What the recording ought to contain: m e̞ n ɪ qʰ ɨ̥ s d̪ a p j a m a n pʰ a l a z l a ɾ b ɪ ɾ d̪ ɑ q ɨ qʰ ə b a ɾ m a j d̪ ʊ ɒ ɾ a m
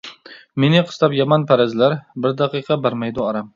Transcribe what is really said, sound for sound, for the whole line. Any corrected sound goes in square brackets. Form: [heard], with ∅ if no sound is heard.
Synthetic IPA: m e̞ n ɪ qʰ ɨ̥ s [t̪] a p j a m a n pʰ a [ɾ] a z l a ɾ b ɪ ɾ d̪ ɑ q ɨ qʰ [ɑ] b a ɾ m a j d̪ ʊ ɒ ɾ a m